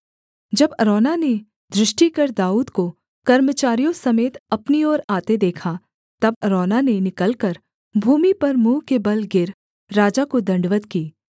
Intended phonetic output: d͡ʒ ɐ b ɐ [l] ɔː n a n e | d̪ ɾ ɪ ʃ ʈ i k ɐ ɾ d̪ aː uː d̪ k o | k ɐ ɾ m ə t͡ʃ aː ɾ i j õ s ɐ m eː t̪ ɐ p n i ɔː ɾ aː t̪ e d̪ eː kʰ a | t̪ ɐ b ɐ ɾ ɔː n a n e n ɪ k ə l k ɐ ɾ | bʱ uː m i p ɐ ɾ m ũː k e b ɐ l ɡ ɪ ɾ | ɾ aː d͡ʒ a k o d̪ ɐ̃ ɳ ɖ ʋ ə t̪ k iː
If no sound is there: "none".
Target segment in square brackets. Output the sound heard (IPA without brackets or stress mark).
ɾ